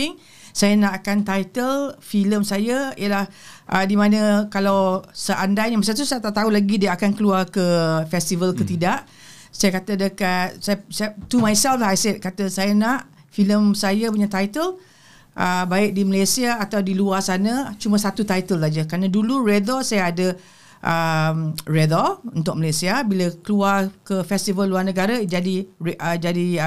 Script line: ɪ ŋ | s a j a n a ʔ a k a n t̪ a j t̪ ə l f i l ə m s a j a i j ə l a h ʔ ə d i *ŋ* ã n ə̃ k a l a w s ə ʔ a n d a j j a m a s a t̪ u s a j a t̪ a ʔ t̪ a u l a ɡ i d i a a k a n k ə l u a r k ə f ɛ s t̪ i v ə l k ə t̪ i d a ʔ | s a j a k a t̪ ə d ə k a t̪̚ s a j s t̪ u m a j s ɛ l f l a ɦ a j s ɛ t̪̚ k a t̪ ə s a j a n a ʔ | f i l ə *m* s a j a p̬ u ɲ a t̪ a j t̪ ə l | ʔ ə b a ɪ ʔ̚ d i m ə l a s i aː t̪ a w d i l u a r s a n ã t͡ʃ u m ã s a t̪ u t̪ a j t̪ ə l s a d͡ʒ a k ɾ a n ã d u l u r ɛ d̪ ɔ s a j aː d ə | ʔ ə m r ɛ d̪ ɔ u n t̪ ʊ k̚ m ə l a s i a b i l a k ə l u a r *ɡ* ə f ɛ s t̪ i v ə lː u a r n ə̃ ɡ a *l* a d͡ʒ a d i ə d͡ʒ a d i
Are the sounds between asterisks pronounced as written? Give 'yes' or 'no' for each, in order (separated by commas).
no, yes, no, no